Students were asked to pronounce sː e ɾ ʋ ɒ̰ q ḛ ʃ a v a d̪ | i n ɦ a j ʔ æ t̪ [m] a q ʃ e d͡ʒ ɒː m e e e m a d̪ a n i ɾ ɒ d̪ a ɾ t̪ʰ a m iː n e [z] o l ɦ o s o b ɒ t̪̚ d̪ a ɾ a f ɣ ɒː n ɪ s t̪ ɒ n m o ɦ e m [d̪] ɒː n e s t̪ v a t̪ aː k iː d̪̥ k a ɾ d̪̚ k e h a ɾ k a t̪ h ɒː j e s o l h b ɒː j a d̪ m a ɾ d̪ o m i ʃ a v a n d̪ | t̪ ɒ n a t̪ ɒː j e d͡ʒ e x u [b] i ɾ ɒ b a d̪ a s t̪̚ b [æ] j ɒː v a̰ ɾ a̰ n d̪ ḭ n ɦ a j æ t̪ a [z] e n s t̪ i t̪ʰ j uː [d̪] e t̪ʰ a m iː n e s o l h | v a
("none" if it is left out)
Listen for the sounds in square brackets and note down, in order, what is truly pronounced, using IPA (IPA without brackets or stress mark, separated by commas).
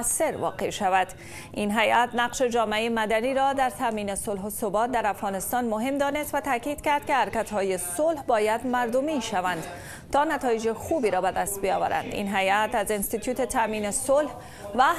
n, s, d̪, b, i, z, t̪